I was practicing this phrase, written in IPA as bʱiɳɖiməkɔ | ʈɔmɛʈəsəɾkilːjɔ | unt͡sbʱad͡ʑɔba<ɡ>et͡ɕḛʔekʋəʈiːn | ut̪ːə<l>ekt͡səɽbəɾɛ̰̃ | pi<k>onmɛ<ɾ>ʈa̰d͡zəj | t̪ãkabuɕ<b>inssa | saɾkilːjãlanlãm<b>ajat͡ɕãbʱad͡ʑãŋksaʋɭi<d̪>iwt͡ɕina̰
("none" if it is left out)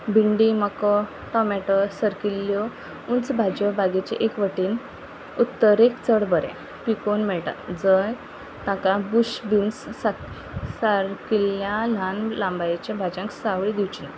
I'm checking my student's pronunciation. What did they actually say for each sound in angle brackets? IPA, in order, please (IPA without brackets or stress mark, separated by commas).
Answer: ɡ, ɾ, k, ɭ, b, b, d̪